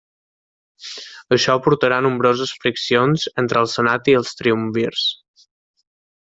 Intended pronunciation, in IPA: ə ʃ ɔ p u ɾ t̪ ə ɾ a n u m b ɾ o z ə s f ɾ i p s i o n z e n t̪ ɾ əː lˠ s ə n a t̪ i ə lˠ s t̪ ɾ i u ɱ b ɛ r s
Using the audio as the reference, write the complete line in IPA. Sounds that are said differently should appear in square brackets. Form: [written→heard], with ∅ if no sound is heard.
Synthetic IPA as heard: ə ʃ ɔ p u ɾ t̪ ə ɾ a n u m b ɾ o z ə s f ɾ i [p→k] s i o n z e n t̪ ɾ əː lˠ s ə n a t̪ i ə lˠ s t̪ ɾ i u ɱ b [ɛ→i] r s